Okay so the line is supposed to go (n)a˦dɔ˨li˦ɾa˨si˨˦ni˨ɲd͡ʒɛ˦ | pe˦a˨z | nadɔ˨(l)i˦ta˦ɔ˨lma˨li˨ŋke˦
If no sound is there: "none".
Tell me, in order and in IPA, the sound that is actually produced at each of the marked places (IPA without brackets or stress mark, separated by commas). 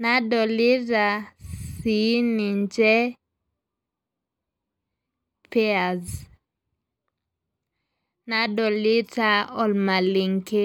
n, l